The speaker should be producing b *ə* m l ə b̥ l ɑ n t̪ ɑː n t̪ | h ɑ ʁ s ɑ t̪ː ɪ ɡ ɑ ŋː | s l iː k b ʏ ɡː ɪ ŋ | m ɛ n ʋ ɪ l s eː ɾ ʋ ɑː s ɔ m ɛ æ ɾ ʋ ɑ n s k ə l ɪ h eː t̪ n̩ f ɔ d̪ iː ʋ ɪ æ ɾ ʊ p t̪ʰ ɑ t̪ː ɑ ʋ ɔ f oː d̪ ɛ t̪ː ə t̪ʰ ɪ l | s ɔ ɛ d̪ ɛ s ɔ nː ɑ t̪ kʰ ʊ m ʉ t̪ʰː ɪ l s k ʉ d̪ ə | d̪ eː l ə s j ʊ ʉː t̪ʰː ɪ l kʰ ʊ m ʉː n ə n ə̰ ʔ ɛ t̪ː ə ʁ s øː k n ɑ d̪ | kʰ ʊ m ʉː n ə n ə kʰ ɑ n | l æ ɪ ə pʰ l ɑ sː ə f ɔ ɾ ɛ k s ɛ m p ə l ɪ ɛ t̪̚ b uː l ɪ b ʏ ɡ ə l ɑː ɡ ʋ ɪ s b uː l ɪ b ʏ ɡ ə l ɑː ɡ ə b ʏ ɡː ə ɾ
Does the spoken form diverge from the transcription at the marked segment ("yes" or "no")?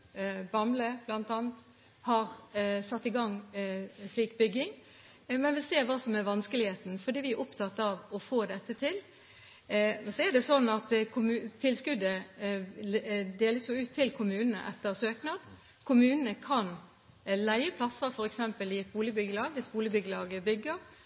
yes